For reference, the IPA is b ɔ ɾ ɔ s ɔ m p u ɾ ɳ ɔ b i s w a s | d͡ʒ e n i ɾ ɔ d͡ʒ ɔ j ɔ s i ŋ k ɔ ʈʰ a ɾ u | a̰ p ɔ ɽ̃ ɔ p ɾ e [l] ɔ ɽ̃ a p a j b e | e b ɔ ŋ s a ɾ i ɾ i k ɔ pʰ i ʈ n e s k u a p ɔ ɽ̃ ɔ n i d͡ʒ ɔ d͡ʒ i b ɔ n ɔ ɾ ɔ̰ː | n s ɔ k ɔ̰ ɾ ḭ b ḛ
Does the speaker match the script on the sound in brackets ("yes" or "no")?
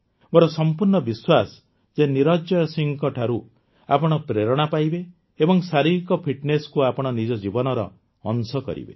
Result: no